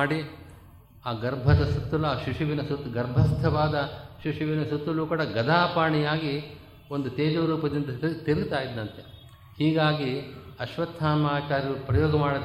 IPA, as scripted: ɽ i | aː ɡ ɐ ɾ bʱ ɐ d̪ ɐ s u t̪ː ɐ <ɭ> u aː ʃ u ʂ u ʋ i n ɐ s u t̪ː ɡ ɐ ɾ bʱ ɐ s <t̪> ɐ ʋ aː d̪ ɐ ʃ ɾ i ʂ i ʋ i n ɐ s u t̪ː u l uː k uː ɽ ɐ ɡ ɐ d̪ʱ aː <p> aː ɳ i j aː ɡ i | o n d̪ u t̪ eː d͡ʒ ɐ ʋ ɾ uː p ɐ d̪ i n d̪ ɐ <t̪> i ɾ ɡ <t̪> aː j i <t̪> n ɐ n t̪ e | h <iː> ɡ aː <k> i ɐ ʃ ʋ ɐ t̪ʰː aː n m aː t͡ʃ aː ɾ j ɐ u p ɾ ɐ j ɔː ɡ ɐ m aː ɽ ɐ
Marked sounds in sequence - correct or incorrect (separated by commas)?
incorrect, incorrect, correct, correct, correct, incorrect, correct, incorrect